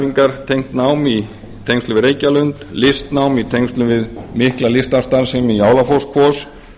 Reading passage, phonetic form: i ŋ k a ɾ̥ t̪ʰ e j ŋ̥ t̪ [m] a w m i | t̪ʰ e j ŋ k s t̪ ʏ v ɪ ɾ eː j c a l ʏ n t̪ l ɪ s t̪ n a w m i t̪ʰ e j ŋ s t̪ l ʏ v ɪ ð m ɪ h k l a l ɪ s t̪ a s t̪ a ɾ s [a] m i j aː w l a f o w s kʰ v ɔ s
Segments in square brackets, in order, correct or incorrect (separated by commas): incorrect, incorrect